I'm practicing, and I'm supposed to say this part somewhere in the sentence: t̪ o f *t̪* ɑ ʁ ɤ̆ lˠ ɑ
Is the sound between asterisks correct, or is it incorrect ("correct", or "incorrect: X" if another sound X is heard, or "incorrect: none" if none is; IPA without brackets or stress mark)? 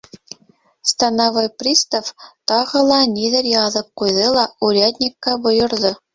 correct